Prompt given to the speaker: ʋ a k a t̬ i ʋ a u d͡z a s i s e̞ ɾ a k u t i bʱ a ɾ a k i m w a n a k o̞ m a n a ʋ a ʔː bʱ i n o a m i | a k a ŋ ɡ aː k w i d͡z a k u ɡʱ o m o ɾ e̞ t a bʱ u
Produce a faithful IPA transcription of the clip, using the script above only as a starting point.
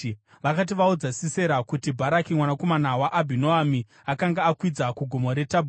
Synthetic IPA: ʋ a k a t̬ i ʋ a u d͡z a s i s e̞ ɾ a k u t i bʱ a ɾ a k i m w a n a k o̞ m a n a w a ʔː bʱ i n o a m i | a k a ŋ ɡ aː k w i d͡z a k u ɡʱ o m o ɾ e̞ t a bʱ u